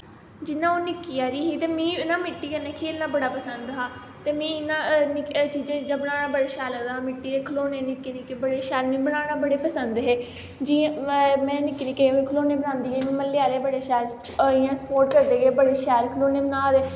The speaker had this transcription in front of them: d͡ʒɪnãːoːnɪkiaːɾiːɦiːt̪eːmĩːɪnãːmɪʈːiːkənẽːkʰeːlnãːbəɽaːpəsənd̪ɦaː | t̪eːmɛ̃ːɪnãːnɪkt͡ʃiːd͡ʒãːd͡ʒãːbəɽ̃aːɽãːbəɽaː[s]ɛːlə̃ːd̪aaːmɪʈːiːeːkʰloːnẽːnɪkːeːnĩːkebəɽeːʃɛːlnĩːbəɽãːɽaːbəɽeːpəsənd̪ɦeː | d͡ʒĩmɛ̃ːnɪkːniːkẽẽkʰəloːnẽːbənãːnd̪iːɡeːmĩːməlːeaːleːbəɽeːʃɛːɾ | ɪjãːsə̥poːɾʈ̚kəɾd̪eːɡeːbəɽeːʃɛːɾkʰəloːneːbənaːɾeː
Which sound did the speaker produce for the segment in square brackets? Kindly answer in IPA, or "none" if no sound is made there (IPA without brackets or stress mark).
ʃ